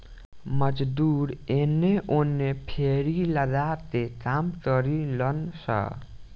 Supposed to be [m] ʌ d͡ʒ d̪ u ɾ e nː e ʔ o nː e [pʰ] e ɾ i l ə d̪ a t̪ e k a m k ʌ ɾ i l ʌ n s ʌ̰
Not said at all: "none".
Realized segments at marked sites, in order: m, pʰ

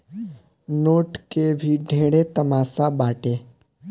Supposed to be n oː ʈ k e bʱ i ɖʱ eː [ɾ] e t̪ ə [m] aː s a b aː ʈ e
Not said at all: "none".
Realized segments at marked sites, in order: ɽ, m

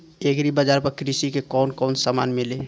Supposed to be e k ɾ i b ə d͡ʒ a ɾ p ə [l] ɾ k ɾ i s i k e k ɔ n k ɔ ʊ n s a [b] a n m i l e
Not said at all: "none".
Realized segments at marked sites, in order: none, m

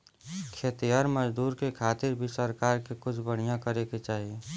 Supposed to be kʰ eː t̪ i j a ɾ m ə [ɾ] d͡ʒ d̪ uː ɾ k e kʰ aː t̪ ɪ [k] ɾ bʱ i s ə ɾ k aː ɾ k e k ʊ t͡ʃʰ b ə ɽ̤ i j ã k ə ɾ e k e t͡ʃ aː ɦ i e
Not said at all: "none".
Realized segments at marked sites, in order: none, none

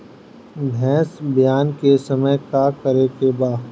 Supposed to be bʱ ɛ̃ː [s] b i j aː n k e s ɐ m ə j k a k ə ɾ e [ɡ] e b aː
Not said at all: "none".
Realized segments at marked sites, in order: s, k

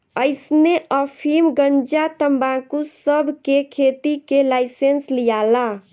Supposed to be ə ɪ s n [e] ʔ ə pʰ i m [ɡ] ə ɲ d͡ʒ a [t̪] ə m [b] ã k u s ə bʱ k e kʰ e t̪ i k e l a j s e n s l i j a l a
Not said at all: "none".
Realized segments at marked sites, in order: e, ɡ, t̪, b

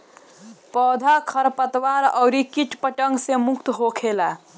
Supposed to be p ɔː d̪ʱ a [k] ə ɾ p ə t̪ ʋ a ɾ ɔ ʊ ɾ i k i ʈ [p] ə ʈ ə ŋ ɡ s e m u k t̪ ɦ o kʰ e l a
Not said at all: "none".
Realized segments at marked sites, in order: kʰ, p

